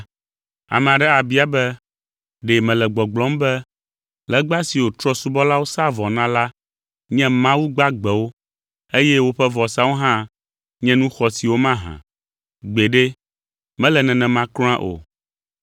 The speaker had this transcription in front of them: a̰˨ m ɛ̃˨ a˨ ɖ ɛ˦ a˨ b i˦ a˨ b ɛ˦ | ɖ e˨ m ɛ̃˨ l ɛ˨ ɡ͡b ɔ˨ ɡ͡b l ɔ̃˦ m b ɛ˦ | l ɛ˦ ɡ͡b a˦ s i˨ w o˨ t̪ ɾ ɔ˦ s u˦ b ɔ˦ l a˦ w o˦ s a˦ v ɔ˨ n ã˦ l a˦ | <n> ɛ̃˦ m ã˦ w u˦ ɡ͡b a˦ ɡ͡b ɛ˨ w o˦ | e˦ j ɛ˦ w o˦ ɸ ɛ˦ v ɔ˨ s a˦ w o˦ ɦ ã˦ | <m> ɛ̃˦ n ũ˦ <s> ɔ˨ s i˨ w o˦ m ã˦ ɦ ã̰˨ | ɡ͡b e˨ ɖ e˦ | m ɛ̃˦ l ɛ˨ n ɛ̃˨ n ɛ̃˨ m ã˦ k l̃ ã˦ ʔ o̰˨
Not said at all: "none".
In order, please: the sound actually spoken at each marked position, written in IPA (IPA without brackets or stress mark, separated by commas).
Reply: ɲ, ɲ, x